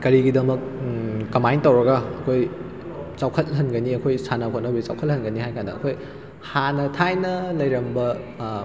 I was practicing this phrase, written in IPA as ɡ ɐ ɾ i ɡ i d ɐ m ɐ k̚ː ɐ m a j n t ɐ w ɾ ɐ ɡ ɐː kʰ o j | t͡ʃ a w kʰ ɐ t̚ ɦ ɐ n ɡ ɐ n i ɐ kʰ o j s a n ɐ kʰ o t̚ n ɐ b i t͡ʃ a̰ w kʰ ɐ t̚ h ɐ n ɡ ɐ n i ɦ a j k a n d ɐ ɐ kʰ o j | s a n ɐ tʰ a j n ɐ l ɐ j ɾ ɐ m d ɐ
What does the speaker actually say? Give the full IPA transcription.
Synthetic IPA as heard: k ɐ ɾ i ɡ i d ɐ m ɐ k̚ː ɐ m a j n t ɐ w ɾ ɐ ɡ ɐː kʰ o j | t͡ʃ a w kʰ ɐ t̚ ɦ ɐ n ɡ ɐ n i ɐ kʰ o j s a n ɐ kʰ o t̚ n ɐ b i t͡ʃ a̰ w kʰ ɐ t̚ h ɐ n ɡ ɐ n i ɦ a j k a n d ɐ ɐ kʰ o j | h a n ɐ tʰ a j n ɐ l ɐ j ɾ ɐ m b ɐ